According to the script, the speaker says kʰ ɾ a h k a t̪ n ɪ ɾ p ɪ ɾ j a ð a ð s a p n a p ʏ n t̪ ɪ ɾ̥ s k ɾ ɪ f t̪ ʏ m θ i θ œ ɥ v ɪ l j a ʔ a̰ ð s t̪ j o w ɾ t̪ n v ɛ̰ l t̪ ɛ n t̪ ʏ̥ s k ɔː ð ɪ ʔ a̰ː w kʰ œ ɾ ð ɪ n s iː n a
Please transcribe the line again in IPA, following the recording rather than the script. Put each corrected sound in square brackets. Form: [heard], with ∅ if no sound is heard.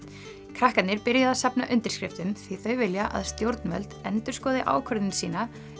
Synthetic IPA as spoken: kʰ ɾ a h k a t̪ n ɪ ɾ p ɪ ɾ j a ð a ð s a p n a [ʔ] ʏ n t̪ ɪ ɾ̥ s k ɾ ɪ f t̪ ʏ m θ i θ œ ɥ v ɪ l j a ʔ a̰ ð s t̪ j o w ɾ t̪ n v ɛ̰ l t̪ ɛ n t̪ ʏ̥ s k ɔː ð ɪ ʔ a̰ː w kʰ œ ɾ ð ɪ n s iː n a